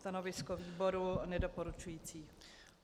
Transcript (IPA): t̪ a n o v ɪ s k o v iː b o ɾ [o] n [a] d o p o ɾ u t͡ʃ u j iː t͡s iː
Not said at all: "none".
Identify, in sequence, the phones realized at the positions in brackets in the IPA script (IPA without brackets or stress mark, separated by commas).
u, ɛ